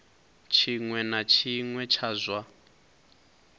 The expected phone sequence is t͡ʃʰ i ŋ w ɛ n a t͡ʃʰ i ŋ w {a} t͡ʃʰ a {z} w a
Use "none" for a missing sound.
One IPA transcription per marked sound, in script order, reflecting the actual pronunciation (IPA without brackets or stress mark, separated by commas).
ɛ, z